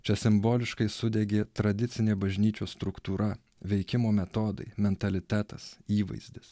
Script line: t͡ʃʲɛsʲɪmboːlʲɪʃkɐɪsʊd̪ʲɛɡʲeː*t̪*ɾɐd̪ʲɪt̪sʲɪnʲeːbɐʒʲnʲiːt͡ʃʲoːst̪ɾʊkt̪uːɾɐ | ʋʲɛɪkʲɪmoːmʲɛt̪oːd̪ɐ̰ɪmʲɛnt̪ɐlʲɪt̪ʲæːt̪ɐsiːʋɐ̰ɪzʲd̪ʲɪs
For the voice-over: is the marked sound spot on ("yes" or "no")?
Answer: yes